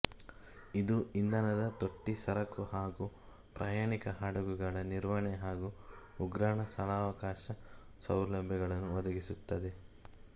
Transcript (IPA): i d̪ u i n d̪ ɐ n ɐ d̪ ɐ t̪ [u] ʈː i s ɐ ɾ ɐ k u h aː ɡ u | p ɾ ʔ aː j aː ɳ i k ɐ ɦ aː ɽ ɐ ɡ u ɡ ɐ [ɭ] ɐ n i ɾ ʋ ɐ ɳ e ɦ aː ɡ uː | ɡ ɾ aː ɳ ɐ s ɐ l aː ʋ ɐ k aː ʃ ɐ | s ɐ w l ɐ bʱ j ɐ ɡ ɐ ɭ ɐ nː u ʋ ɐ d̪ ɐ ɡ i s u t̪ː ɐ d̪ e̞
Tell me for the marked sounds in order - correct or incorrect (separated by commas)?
incorrect, correct